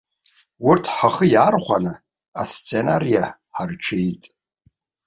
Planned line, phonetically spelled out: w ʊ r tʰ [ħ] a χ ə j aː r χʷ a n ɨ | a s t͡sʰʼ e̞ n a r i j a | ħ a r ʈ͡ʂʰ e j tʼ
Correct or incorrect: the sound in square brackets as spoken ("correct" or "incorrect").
correct